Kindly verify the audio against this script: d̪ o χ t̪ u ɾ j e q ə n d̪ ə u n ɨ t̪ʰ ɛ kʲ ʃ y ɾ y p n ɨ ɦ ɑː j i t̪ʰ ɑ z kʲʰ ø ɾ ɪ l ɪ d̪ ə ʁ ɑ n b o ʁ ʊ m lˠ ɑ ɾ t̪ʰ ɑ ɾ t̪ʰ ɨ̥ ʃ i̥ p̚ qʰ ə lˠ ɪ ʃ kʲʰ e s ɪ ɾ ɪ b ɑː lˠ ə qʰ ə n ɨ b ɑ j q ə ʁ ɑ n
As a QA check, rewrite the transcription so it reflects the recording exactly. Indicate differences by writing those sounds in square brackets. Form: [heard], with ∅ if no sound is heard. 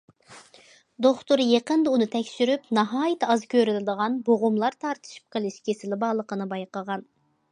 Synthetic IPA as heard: d̪ o χ t̪ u ɾ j e q ə n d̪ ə u n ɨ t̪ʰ ɛ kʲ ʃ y ɾ y p n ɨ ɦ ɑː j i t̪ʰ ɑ z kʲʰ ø ɾ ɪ l ɪ d̪ ə ʁ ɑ n b o ʁ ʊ m lˠ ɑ ɾ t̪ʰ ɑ ɾ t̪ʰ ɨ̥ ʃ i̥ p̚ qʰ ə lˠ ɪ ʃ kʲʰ e s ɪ [l] ɪ b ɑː lˠ ə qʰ ə n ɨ b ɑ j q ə ʁ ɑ n